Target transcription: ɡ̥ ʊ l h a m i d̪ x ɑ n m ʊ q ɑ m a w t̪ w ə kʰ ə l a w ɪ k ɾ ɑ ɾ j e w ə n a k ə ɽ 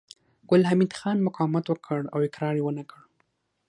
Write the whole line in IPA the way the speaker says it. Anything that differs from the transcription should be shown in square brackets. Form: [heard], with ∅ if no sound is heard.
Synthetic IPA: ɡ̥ ʊ l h a m i d̪ x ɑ n m ʊ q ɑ m a [∅] t̪ w ə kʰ ə [ɽ] a w ɪ k ɾ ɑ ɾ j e w ə n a k ə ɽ